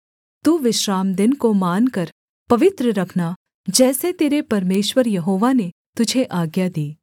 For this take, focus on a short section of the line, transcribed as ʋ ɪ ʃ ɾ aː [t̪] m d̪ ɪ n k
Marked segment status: incorrect: none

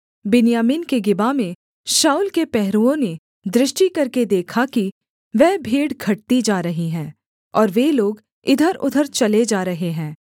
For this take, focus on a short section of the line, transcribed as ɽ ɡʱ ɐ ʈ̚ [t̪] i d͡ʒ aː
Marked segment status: correct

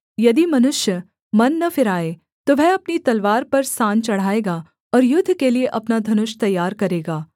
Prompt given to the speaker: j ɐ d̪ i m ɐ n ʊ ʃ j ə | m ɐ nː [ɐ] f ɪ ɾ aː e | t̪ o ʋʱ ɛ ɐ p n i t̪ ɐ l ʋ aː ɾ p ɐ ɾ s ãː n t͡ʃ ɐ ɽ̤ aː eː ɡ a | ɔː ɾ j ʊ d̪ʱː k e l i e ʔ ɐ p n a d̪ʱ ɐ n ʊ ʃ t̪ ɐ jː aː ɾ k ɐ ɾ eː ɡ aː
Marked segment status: correct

